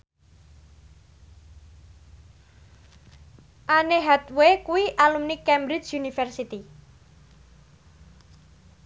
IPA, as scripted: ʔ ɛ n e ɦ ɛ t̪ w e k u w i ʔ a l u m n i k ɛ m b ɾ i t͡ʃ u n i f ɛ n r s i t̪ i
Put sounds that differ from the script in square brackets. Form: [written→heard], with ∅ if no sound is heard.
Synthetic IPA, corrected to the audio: ʔ [ɛ→a] n e ɦ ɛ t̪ w e k u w i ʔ a l u m n i k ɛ m b ɾ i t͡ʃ u n i f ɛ [n→∅] r s i t̪ i